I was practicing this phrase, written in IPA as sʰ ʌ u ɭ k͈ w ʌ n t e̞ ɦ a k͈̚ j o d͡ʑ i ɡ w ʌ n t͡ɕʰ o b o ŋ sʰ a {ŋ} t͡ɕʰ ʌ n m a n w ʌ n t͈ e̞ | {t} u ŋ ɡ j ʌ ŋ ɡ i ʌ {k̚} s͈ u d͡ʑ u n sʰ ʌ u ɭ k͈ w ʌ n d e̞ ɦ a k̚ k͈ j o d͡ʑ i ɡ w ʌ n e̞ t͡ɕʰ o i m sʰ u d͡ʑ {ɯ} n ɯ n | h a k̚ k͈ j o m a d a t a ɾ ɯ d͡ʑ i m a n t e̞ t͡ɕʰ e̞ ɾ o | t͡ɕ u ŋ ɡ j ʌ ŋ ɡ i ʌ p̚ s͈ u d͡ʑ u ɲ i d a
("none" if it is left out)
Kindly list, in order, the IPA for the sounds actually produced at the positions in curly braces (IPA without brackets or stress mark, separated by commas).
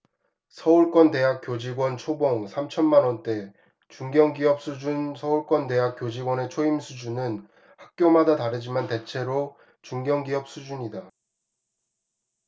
m, t͡ɕ, p̚, u